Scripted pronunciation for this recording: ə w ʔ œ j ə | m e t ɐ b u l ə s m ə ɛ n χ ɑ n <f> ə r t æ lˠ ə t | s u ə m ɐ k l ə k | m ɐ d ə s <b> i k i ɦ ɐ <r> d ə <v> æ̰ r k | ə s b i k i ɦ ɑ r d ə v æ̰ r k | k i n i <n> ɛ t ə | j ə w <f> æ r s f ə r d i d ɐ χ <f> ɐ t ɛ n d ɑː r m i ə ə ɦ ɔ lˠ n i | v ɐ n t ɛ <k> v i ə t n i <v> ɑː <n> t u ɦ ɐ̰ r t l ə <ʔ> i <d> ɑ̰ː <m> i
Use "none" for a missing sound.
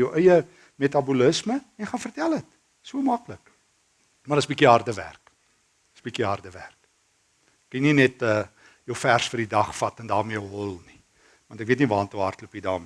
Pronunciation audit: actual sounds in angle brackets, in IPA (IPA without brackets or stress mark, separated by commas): f, b, r, v, n, f, f, k, v, n, p, d, m